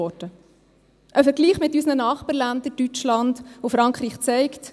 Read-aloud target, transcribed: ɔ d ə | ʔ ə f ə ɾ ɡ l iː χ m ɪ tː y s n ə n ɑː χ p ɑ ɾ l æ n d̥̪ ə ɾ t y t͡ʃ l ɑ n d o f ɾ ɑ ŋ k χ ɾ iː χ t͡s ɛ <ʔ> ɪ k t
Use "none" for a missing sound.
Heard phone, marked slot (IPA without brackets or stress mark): none